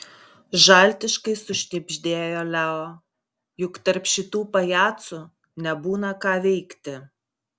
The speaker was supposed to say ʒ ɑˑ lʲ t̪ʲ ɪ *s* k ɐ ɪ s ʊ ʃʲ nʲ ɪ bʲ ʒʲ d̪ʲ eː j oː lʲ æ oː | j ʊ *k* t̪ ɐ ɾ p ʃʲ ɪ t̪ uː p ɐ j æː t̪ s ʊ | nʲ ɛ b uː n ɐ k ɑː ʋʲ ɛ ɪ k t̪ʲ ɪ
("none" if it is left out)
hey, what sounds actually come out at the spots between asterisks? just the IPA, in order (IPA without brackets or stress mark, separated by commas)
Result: ʃ, k